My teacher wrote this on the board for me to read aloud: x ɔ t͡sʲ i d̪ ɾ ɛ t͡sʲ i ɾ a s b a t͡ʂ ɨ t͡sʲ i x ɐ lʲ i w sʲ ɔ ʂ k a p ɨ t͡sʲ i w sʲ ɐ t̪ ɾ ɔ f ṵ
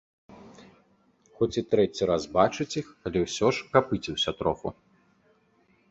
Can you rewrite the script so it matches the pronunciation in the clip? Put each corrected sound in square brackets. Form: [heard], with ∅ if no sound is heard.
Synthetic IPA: x ɔ t͡sʲ i [t̪] ɾ ɛ t͡sʲ i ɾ a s b a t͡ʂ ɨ t͡sʲ i x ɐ lʲ [ɛ] w sʲ ɔ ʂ k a p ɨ t͡sʲ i w sʲ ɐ t̪ ɾ ɔ f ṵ